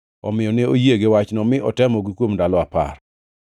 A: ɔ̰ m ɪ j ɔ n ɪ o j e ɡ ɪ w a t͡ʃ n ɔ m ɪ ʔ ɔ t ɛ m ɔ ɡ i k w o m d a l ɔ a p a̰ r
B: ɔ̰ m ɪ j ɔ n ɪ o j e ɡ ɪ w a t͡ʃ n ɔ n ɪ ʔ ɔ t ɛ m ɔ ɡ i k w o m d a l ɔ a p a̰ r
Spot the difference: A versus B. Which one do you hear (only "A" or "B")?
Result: A